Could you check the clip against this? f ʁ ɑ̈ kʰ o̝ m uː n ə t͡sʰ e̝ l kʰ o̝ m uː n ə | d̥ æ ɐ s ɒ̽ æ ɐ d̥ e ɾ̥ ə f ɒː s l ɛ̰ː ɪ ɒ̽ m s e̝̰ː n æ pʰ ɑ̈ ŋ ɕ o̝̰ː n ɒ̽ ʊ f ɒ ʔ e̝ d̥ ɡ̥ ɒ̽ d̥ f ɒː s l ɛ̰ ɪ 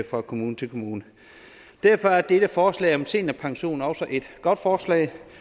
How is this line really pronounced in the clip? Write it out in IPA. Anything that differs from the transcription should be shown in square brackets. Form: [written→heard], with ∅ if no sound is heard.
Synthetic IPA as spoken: f ʁ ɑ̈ kʰ o̝ m uː n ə t͡sʰ e̝ l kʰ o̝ m uː n ə | d̥ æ ɐ [s→f] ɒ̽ æ ɐ d̥ e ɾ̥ ə f ɒː s l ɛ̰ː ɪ ɒ̽ m s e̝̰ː n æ pʰ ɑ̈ ŋ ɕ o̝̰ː n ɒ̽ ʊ [f→s] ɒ ʔ e̝ d̥ ɡ̥ ɒ̽ d̥ f ɒː s l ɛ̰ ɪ